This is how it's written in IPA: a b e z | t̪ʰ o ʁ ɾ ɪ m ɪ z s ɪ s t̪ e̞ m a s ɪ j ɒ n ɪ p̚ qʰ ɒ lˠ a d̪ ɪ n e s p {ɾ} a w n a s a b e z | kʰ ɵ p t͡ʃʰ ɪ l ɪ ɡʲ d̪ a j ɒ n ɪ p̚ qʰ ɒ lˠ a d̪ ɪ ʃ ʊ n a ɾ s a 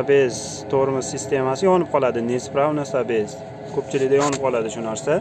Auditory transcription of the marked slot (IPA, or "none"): ɾ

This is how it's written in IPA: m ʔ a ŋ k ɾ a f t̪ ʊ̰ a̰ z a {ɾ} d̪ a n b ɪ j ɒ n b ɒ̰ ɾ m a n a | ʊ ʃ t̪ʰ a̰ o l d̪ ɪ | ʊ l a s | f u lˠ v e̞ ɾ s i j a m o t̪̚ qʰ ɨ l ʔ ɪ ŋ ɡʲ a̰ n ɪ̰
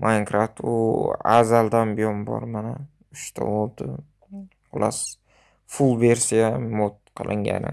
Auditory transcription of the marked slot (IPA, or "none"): l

